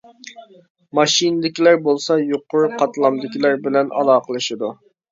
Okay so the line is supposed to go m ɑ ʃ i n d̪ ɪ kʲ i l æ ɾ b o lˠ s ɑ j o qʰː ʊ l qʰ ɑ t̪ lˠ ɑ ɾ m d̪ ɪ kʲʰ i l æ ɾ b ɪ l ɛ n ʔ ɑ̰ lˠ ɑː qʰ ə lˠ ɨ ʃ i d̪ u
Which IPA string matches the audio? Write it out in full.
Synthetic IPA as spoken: m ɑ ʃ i n d̪ ɪ kʲ i l æ ɾ b o lˠ s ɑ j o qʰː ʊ ɾ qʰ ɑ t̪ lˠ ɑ m d̪ ɪ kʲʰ i l æ ɾ b ɪ l ɛ n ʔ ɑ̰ lˠ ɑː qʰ ə lˠ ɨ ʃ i d̪ u